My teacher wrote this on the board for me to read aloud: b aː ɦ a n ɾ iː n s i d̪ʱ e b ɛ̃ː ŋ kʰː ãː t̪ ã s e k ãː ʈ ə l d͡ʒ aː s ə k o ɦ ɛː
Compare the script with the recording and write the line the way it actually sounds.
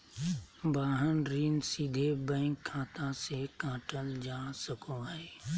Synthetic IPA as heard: b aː ɦ ə n ɾ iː n s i d̪ʱ e b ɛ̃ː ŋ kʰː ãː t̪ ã s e k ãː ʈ ə l d͡ʒ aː s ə k o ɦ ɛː